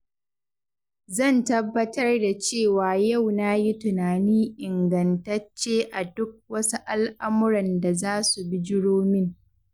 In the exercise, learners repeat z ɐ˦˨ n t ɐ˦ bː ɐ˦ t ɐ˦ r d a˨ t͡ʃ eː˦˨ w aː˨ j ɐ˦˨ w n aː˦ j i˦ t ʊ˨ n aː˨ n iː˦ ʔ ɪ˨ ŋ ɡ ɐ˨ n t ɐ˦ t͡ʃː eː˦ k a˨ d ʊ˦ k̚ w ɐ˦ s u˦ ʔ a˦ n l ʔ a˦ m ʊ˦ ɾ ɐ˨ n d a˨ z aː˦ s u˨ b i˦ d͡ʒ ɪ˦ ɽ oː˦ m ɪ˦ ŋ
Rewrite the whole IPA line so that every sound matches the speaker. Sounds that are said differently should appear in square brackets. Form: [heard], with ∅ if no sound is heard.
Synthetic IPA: z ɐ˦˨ n t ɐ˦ bː ɐ˦ t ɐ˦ r d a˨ t͡ʃ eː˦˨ w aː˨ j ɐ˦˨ w n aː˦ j i˦ t ʊ˨ n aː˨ n iː˦ ʔ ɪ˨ ŋ ɡ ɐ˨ n t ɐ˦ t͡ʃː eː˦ [ʔ] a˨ d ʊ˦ k̚ w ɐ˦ s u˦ ʔ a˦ [∅] l ʔ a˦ m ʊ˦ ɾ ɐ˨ n d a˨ z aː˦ s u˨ b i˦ d͡ʒ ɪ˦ ɽ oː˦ m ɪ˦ ŋ